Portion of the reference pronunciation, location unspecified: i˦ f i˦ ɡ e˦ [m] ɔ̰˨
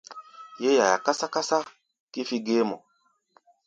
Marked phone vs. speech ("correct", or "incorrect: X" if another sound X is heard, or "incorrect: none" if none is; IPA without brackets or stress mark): correct